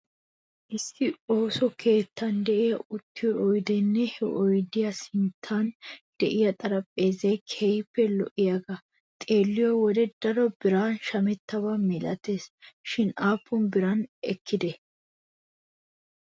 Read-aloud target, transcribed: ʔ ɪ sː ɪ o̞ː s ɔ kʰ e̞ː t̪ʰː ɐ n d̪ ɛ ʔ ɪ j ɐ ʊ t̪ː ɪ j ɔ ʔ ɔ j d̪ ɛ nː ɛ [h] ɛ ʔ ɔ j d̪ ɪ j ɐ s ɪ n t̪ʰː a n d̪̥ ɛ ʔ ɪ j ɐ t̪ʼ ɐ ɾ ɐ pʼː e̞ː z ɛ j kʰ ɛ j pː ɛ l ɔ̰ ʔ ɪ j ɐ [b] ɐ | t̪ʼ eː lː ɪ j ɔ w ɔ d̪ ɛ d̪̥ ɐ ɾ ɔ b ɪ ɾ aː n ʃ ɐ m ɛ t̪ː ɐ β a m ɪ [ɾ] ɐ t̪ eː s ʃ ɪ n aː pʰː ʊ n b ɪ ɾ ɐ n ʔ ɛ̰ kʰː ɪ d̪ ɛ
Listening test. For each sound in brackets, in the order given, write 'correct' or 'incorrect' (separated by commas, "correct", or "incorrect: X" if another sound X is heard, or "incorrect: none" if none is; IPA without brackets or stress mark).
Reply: correct, incorrect: ɡ, incorrect: l